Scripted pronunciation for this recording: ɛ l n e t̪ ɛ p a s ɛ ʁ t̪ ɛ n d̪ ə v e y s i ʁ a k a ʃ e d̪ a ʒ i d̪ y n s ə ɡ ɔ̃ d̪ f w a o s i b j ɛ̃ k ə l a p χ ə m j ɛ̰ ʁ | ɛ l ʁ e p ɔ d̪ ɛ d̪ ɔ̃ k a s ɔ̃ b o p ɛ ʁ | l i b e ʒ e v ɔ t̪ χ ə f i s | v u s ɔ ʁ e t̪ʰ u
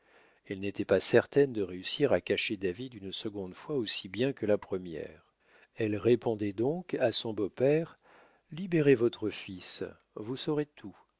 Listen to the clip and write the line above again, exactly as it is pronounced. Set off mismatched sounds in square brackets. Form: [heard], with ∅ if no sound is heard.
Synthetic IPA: ɛ l n e t̪ ɛ p a s ɛ ʁ t̪ ɛ n d̪ ə [ʁ] e y s i ʁ a k a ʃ e d̪ a [v] i d̪ y n s ə ɡ ɔ̃ d̪ f w a o s i b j ɛ̃ k ə l a p χ ə m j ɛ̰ ʁ | ɛ l ʁ e p [ɔ̃] d̪ ɛ d̪ ɔ̃ k a s ɔ̃ b o p ɛ ʁ | l i b e [ʁ] e v ɔ t̪ χ ə f i s | v u s ɔ ʁ e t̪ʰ u